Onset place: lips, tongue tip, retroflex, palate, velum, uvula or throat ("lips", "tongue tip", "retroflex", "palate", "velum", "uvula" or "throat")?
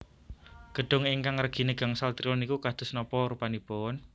velum